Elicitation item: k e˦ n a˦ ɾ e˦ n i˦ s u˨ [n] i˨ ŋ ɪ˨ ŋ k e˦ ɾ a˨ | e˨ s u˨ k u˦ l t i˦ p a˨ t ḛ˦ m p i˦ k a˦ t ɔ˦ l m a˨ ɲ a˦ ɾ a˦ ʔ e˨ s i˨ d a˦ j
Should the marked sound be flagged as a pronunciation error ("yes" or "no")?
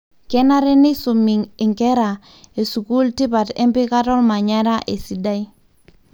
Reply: yes